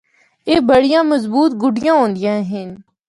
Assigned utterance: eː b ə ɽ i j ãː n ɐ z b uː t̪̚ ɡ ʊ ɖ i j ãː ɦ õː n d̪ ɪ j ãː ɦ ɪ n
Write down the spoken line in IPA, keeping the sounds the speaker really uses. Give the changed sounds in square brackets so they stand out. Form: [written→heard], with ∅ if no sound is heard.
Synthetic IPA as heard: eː b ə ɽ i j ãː [n→m] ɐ z b uː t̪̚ ɡ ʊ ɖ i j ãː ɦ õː n d̪ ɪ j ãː ɦ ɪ n